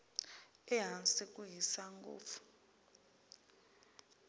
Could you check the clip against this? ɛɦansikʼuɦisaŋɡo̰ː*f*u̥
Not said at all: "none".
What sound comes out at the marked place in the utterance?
f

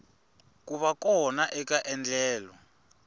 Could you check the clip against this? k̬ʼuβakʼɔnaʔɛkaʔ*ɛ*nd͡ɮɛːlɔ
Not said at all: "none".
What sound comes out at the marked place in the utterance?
ɛ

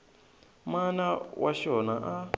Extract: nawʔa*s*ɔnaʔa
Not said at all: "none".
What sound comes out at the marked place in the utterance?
ʃ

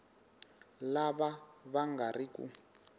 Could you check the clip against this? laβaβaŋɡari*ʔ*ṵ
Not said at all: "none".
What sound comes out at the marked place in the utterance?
k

